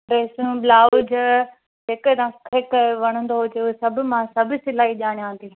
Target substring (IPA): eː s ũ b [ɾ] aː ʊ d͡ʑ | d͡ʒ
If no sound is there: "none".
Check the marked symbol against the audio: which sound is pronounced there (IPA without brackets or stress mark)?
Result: l